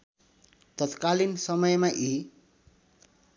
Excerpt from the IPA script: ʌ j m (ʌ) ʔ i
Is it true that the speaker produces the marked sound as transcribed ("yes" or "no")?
no